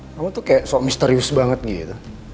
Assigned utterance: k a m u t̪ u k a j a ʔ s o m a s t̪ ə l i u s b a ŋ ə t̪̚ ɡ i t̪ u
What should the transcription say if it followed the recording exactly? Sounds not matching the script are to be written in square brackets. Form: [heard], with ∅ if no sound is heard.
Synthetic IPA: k a m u t̪ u k a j a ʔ s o m [i] s t̪ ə [ɾ] i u s b a ŋ ə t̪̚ ɡ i t̪ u